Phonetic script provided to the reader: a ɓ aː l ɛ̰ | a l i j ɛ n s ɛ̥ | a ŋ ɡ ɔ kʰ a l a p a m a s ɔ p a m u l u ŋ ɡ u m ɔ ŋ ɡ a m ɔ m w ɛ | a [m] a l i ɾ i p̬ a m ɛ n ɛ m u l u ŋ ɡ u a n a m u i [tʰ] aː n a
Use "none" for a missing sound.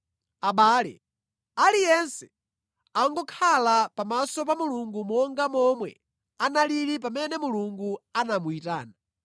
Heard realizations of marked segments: n, t

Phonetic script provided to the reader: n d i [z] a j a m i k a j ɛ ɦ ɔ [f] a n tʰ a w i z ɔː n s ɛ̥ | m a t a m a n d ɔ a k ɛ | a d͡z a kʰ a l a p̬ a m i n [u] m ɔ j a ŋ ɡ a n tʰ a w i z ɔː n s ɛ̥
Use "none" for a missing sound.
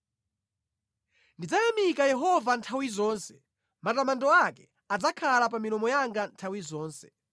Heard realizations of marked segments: d͡z, v, ɔ

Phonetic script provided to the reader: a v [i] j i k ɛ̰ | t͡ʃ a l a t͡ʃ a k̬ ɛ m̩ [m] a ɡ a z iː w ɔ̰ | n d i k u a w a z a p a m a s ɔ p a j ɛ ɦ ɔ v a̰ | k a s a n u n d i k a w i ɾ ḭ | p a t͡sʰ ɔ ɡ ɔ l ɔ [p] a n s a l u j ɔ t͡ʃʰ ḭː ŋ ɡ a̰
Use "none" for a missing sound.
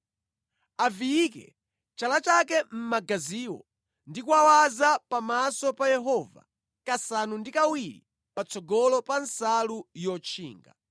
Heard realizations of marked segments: i, m, p

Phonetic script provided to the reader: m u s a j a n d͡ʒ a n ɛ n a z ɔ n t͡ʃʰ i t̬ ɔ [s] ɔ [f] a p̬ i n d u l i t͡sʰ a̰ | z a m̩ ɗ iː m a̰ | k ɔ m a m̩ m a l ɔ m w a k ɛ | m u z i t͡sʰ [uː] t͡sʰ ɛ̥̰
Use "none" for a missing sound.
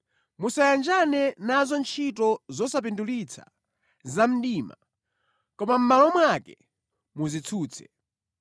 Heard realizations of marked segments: z, s, uː

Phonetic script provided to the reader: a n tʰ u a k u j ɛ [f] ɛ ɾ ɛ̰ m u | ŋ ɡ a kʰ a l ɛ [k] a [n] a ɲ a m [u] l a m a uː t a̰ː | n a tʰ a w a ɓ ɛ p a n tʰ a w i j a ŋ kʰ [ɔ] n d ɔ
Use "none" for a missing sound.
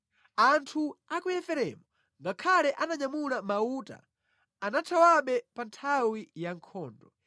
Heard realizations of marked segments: f, ʔ, n, u, ɔː

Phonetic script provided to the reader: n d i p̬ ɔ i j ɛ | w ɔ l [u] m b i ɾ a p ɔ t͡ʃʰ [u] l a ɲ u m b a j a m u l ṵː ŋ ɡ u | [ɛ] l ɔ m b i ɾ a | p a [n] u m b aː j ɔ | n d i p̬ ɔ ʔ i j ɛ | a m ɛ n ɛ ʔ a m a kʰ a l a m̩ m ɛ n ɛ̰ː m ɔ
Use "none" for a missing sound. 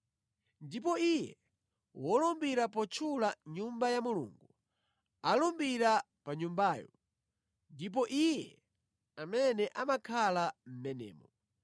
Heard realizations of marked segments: ɔ, u, a, ɲ

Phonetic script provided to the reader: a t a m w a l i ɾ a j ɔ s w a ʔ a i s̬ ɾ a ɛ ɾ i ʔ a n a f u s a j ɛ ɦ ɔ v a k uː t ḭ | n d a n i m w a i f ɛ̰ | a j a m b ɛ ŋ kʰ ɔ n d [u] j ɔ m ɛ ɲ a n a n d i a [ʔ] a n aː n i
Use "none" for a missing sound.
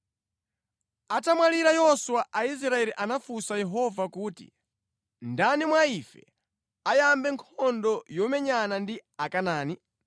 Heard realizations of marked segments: ɔ, k

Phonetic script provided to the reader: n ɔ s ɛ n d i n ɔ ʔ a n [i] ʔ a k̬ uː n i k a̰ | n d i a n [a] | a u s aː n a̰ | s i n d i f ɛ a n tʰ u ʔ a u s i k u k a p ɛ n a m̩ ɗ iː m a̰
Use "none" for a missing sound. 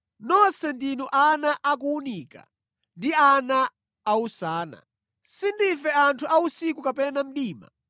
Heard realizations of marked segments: a, a

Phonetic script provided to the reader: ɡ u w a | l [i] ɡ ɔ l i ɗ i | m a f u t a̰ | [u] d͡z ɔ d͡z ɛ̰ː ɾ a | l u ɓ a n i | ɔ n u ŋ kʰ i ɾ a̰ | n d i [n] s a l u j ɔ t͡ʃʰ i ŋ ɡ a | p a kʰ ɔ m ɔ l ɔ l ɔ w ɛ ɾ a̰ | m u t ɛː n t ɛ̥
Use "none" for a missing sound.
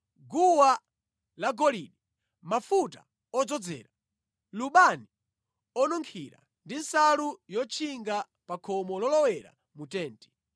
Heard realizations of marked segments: a, ɔ, n

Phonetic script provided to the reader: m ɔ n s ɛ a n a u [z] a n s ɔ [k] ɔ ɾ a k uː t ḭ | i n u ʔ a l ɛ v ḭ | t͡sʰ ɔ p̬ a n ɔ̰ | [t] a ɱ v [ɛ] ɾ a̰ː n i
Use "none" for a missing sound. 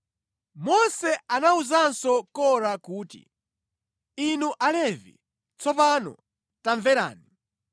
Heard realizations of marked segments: z, k, t, ɛ

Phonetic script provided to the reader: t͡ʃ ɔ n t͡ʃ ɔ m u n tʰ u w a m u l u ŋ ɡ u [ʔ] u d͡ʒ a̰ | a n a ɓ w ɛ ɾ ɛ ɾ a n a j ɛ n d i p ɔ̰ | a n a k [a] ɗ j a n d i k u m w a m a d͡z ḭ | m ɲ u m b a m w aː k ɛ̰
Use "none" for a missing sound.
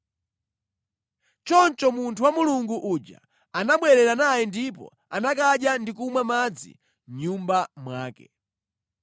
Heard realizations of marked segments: ʔ, a

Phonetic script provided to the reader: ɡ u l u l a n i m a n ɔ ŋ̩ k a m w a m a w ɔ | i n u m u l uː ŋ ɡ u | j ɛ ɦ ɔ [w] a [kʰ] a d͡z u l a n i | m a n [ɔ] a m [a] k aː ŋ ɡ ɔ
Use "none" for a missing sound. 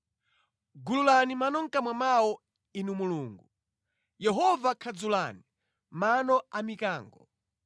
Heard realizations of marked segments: v, kʰ, ɔ, i

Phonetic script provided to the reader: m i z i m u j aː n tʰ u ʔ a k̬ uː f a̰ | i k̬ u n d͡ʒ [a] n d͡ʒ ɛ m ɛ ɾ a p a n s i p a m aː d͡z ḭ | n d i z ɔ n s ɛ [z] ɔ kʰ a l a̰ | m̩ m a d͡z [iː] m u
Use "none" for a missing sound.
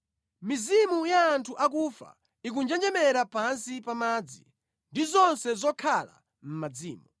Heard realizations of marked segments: ɛ, z, iː

